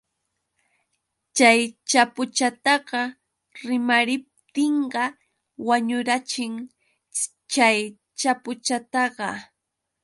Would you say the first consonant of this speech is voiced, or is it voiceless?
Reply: voiceless